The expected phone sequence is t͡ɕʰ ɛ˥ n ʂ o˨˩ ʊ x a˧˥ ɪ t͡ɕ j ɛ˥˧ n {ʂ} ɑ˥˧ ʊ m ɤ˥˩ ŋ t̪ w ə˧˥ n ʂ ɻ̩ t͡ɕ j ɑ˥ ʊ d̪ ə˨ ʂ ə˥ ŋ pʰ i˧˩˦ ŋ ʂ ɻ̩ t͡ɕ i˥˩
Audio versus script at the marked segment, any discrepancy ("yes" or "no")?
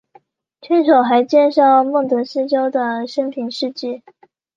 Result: no